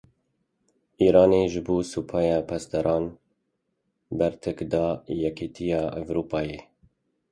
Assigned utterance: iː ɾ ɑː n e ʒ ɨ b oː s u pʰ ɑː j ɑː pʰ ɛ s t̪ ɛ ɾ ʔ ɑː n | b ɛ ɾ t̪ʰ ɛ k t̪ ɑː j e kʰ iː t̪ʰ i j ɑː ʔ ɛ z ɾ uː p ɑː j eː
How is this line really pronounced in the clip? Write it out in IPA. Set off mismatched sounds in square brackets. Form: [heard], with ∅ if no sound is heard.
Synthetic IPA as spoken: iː ɾ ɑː n e ʒ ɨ b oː s u pʰ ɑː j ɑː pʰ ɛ s t̪ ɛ ɾ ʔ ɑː n | b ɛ ɾ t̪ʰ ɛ k [d̪] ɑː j [ɛ] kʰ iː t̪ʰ i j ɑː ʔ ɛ [v] ɾ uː p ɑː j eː

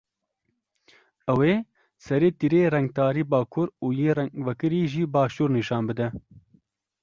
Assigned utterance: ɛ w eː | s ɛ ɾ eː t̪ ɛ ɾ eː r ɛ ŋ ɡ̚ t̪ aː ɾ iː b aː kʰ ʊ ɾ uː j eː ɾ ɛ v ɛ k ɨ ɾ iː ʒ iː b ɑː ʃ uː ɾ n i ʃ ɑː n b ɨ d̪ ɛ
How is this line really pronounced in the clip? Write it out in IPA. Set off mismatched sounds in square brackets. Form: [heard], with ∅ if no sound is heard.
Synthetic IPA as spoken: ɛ w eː | s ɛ ɾ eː t̪ [i] ɾ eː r ɛ ŋ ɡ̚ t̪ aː ɾ iː b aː kʰ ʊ ɾ uː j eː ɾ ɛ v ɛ k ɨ ɾ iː ʒ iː b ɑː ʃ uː ɾ n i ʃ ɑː n b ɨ d̪ ɛ

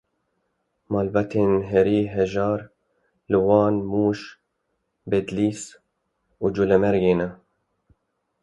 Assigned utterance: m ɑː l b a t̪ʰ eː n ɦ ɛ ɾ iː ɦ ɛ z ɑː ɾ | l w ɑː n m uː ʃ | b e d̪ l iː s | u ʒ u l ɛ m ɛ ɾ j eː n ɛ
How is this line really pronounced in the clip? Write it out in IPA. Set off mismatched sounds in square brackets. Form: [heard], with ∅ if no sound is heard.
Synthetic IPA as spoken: m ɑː l b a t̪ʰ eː n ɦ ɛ ɾ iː ɦ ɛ [ʒ] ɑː ɾ | l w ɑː n m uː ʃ | b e d̪ l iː s | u [d͡ʒ] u l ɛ m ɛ ɾ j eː n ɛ

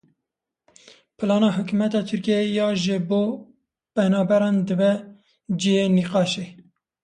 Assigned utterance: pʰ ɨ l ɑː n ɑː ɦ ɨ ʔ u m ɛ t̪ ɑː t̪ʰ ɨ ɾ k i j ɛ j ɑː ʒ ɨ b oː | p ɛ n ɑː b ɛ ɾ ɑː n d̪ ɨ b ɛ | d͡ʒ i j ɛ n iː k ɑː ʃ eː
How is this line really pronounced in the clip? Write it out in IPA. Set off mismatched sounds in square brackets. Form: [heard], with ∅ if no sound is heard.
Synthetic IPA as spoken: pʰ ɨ l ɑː n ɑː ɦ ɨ [k] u m ɛ t̪ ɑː t̪ʰ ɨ ɾ k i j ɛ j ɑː ʒ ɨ b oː | p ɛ n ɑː b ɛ ɾ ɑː n d̪ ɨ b ɛ | d͡ʒ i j [e] n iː [q] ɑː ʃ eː

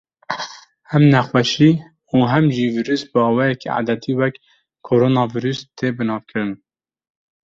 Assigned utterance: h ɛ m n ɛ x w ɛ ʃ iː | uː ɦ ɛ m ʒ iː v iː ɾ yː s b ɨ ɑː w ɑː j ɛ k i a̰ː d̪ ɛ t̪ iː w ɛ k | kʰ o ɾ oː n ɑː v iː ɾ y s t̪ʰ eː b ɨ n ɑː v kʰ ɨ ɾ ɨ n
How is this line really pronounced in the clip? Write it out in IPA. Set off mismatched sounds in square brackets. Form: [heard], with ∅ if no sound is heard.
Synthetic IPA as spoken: h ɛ m n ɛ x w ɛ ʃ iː | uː ɦ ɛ m ʒ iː v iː ɾ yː s b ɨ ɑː w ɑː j ɛ k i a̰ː d̪ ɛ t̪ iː w ɛ k | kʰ o ɾ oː n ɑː v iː ɾ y s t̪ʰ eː b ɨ n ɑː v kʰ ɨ ɾ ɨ n

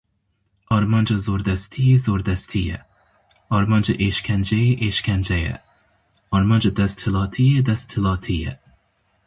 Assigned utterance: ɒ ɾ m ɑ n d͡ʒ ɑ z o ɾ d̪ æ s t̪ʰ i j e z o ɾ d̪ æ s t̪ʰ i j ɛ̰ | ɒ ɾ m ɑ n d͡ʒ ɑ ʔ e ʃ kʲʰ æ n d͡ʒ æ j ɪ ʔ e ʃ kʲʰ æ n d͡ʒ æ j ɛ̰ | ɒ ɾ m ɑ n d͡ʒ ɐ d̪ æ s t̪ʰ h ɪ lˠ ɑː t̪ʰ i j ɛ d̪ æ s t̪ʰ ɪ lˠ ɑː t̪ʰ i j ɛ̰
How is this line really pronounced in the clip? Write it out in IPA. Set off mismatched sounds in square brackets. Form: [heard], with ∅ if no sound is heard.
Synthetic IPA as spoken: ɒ ɾ m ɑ n d͡ʒ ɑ z o ɾ d̪ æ s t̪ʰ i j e z o ɾ d̪ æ s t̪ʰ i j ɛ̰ | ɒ ɾ m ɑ n d͡ʒ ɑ ʔ e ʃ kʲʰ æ n d͡ʒ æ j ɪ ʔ e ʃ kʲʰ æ n d͡ʒ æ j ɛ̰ | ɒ ɾ m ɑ n d͡ʒ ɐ d̪ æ s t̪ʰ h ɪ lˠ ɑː t̪ʰ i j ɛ d̪ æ s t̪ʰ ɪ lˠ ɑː t̪ʰ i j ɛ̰

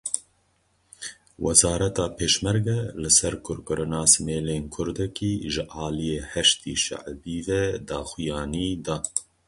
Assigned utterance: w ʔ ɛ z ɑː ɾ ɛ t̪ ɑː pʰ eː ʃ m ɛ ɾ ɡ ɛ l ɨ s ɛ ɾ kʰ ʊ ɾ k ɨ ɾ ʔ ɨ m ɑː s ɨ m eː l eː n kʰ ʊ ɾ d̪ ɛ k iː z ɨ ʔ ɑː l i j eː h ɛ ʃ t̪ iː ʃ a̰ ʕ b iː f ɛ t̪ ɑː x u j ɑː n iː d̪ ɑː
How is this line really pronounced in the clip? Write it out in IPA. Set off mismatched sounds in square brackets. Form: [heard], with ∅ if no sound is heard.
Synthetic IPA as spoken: w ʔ ɛ z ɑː ɾ ɛ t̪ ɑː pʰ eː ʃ m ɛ ɾ ɡ ɛ l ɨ s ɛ ɾ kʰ ʊ ɾ k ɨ ɾ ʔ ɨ [n] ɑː s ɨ m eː l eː n kʰ ʊ ɾ d̪ ɛ k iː [ʒ] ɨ ʔ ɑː l i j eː h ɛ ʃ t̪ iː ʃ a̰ ʕ b iː [v] ɛ [d̪] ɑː x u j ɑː n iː d̪ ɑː

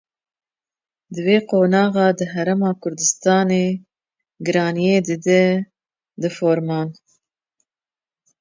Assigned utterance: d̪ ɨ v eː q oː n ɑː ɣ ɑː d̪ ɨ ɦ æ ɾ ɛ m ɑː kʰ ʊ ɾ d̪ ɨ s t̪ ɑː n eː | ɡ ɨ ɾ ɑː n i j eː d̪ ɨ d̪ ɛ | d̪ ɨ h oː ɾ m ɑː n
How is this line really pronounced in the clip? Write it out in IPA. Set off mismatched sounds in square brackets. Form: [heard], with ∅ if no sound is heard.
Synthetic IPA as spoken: d̪ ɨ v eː q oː n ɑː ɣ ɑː d̪ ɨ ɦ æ ɾ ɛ m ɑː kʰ ʊ ɾ d̪ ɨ s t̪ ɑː n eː | ɡ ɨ ɾ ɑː n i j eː d̪ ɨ d̪ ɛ | d̪ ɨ [f] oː ɾ m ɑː n

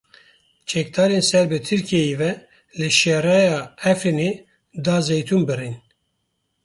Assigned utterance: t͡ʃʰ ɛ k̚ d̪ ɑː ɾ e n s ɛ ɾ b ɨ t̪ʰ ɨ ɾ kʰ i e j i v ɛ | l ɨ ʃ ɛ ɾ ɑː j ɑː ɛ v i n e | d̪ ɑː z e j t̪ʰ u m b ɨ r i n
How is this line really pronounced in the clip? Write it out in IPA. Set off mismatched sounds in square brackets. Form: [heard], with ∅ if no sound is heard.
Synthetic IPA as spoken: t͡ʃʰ ɛ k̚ d̪ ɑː ɾ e n s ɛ ɾ b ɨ t̪ʰ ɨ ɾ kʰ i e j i v ɛ | l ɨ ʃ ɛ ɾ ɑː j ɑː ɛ [f] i n e | d̪ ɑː z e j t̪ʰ u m b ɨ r i n

